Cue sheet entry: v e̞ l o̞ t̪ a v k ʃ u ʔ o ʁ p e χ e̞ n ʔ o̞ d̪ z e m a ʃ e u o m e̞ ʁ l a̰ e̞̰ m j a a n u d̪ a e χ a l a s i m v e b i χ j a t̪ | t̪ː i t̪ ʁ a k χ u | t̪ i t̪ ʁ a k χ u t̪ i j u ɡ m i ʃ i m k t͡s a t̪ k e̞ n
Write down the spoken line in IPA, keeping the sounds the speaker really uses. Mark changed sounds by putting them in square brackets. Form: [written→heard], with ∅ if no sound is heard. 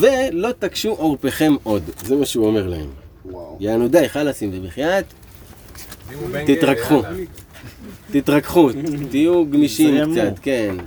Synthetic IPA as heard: v e̞ l o̞ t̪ a [v→∅] k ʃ u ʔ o ʁ p e χ e̞ [n→m] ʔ o̞ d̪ z e m a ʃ e u o m e̞ ʁ l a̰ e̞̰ m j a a n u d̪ a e χ a l a s i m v e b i χ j a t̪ | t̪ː i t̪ ʁ a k χ u | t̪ i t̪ ʁ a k χ u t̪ i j u ɡ m i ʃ i m k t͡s a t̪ k e̞ n